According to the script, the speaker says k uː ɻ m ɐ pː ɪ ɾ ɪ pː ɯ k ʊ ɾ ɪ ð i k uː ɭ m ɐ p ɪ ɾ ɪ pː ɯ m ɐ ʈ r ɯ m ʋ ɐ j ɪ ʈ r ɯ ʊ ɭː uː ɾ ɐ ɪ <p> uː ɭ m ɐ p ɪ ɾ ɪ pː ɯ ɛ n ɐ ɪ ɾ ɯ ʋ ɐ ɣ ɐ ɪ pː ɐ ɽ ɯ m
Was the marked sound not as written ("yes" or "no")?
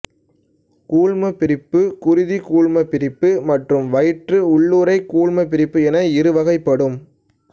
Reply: yes